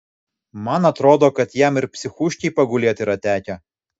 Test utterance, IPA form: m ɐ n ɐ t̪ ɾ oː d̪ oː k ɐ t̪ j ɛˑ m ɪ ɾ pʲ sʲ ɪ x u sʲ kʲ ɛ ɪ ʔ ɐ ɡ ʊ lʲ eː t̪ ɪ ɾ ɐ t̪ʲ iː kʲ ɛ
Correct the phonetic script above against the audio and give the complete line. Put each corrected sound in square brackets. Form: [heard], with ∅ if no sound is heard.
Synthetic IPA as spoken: m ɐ n ɐ t̪ ɾ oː d̪ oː k ɐ t̪ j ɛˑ m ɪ ɾ pʲ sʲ ɪ x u [ʃʲ] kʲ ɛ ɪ [p] ɐ ɡ ʊ lʲ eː t̪ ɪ ɾ ɐ t̪ʲ [æː] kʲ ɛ

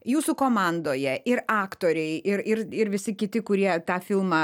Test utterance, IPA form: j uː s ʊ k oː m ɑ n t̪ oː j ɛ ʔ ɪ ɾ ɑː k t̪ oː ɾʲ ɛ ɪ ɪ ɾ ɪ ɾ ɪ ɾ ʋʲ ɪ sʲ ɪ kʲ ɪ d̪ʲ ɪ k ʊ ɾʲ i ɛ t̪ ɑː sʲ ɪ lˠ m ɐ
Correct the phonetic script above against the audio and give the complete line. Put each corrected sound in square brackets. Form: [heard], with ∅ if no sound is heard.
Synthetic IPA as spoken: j uː s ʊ k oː m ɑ n [d̪] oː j ɛ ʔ ɪ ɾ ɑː k t̪ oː ɾʲ ɛ ɪ ɪ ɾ ɪ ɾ ɪ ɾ ʋʲ ɪ sʲ ɪ kʲ ɪ [t̪ʲ] ɪ k ʊ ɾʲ i ɛ t̪ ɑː [fʲ] ɪ lˠ m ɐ

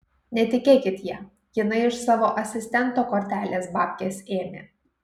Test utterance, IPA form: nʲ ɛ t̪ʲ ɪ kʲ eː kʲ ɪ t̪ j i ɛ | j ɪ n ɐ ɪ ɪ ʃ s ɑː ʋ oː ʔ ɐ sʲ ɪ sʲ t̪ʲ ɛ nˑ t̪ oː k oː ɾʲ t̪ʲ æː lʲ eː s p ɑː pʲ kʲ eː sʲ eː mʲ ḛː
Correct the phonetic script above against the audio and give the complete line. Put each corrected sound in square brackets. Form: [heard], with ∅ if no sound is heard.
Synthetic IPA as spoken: nʲ ɛ t̪ʲ ɪ kʲ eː kʲ ɪ t̪ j i ɛ | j ɪ n ɐ ɪ ɪ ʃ s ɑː ʋ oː ʔ ɐ sʲ ɪ sʲ t̪ʲ ɛ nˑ t̪ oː k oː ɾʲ t̪ʲ æː lʲ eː s [b] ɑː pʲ kʲ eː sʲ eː mʲ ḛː

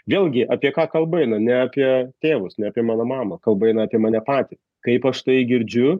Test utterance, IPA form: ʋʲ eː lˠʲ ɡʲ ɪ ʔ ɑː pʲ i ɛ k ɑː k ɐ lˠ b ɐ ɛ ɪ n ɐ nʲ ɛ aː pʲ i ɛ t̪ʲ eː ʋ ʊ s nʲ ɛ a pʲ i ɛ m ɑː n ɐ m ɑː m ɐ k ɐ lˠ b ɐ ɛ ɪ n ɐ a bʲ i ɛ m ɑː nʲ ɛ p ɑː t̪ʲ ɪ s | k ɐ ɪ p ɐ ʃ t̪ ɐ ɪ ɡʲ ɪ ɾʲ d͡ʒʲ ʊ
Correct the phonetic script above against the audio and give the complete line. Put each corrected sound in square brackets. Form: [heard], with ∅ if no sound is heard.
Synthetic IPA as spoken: ʋʲ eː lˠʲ ɡʲ ɪ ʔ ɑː pʲ i ɛ k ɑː k ɐ lˠ b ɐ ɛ ɪ n ɐ nʲ ɛ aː pʲ i ɛ t̪ʲ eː ʋ ʊ s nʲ ɛ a pʲ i ɛ m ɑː n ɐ m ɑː m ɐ k ɐ lˠ b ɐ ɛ ɪ n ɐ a [pʲ] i ɛ m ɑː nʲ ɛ p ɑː t̪ʲ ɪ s | k ɐ ɪ p ɐ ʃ t̪ ɐ ɪ ɡʲ ɪ ɾʲ d͡ʒʲ ʊ

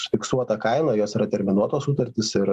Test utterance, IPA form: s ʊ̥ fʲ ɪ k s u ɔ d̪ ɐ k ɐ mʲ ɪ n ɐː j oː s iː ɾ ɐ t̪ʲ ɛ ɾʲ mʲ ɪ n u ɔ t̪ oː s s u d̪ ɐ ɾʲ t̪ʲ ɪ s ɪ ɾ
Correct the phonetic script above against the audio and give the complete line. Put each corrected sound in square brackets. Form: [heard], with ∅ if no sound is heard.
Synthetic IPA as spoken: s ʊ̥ fʲ ɪ k s u ɔ [t̪] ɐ k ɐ [∅] ɪ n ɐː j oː s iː ɾ ɐ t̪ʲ ɛ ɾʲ mʲ ɪ n u ɔ t̪ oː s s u [t̪] ɐ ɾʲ t̪ʲ ɪ s ɪ ɾ

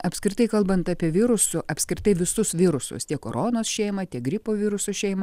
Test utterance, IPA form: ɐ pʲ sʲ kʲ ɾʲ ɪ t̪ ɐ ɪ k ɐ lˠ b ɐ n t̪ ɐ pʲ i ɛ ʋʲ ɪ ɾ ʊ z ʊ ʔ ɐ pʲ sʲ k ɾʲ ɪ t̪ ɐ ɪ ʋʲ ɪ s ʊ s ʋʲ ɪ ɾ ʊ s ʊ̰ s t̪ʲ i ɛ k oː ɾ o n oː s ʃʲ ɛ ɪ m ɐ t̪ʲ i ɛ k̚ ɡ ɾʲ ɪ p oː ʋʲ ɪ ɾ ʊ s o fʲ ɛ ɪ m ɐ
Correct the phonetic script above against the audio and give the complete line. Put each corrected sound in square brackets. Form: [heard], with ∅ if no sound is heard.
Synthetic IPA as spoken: ɐ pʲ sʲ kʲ ɾʲ ɪ t̪ ɐ ɪ k ɐ lˠ b ɐ n t̪ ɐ pʲ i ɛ ʋʲ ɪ ɾ ʊ [s] ʊ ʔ ɐ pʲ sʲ k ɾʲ ɪ t̪ ɐ ɪ ʋʲ ɪ s ʊ s ʋʲ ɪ ɾ ʊ s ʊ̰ s t̪ʲ i ɛ k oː ɾ o n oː s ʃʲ ɛ ɪ m ɐ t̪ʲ i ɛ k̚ ɡ ɾʲ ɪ p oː ʋʲ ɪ ɾ ʊ s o [ʃʲ] ɛ ɪ m ɐ

